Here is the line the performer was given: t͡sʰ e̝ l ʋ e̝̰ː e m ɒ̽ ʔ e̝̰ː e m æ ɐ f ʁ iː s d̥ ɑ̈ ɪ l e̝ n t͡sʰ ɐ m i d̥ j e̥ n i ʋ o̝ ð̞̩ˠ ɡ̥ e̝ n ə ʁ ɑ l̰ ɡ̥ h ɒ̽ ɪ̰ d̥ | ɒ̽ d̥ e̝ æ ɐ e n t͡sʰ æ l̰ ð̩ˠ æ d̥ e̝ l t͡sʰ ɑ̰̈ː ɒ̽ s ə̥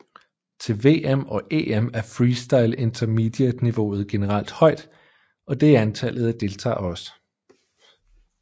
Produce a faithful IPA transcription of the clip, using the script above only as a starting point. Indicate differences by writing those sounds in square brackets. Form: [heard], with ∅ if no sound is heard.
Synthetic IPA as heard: t͡sʰ e̝ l ʋ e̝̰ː e m ɒ̽ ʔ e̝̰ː e m æ ɐ f ʁ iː s d̥ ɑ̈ ɪ l e̝ n t͡sʰ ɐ m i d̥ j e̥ n i ʋ o̝ ð̞̩ˠ ɡ̥ e̝ n ə ʁ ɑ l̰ [d̥] h ɒ̽ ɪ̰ d̥ | ɒ̽ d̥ e̝ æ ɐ [æ] n t͡sʰ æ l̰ ð̩ˠ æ d̥ e̝ l t͡sʰ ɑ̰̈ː ɒ̽ s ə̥